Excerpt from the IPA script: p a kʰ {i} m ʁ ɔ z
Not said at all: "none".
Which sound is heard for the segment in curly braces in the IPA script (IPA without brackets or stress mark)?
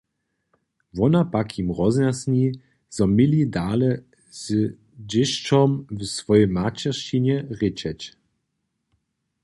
i